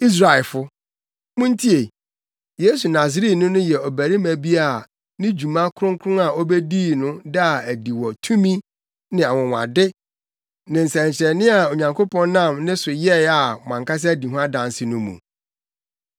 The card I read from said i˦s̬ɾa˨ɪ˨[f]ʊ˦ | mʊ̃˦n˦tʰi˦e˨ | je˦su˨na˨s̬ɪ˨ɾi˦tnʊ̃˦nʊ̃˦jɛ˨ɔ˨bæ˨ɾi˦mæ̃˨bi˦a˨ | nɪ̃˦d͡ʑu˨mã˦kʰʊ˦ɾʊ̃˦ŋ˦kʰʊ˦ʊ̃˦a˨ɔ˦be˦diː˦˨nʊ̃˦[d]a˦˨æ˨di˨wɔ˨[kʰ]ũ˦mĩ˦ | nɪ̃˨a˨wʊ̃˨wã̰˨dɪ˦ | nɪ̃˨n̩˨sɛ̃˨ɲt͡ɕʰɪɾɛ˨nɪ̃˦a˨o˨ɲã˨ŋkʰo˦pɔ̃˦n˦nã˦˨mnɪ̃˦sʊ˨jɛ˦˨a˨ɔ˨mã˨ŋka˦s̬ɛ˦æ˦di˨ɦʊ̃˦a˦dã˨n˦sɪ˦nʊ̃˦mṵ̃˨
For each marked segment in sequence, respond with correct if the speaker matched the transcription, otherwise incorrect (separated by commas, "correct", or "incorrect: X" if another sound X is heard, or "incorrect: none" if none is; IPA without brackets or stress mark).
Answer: correct, correct, incorrect: tʰ